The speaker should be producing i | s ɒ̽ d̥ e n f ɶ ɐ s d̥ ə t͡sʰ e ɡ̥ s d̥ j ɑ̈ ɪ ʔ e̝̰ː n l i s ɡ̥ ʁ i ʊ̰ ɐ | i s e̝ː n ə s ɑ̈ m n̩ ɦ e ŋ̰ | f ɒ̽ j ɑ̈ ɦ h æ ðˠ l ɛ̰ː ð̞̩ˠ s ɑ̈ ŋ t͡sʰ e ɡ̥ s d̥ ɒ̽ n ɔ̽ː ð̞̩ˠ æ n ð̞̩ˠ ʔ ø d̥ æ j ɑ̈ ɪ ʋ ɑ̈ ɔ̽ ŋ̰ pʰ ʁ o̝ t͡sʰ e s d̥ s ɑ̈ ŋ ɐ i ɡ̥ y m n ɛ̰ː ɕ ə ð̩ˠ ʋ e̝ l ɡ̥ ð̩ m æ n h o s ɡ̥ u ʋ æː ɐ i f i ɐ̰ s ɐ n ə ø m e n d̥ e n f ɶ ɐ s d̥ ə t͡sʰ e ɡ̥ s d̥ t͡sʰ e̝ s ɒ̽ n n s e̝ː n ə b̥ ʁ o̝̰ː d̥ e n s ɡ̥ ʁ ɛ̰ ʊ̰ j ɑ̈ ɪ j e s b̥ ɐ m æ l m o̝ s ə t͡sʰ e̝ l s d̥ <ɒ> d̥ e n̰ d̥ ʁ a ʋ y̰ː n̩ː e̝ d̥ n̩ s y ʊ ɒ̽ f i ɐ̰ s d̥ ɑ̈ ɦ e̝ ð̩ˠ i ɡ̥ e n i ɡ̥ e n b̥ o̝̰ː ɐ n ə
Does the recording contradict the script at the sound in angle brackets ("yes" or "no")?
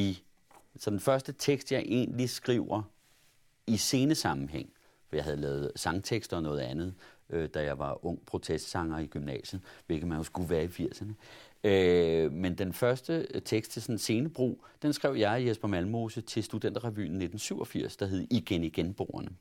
yes